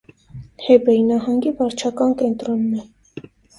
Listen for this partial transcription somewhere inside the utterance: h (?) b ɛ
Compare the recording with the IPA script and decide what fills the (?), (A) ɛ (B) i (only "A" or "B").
A